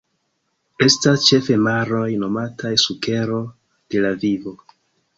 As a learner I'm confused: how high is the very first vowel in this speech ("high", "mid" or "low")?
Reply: mid